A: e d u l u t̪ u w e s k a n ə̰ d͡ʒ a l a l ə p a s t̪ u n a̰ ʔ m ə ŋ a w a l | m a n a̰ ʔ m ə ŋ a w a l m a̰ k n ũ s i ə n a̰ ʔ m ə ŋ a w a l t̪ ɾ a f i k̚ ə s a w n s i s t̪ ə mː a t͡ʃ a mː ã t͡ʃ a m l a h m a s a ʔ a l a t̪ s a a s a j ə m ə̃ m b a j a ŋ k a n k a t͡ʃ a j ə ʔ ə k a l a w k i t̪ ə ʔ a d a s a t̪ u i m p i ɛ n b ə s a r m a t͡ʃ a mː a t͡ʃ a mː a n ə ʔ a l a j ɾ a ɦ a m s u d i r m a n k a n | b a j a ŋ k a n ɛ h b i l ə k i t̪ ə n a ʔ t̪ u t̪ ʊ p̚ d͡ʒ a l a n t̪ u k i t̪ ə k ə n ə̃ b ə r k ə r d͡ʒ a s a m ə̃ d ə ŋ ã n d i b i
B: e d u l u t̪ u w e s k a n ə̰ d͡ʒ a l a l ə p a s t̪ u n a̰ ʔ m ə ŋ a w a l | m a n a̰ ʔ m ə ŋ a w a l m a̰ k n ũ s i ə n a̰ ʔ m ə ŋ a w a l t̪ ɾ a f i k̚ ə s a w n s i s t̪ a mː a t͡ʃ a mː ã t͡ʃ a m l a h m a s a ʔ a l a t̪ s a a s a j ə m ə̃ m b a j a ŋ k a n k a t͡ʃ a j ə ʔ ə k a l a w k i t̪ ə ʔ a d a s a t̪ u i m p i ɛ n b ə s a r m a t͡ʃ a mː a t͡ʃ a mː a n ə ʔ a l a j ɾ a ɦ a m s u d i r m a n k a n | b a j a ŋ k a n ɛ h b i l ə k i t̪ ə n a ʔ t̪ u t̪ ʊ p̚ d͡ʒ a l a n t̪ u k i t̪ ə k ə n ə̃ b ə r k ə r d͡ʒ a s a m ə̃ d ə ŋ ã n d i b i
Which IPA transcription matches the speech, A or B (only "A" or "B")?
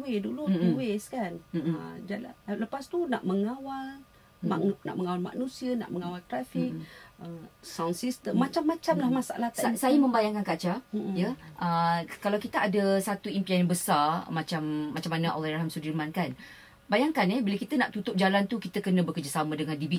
A